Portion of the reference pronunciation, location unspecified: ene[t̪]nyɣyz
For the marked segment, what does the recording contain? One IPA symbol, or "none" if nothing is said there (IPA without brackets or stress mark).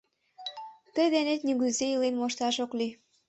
t̪